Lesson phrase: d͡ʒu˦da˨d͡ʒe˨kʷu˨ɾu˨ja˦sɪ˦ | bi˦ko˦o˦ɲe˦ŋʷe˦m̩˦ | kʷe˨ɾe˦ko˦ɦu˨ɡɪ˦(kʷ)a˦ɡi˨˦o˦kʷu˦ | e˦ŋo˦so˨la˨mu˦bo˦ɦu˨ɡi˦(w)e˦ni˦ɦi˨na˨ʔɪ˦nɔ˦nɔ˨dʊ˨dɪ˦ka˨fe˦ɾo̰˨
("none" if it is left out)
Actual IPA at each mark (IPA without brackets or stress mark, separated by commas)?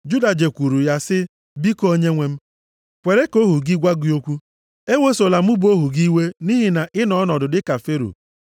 ɡʷ, w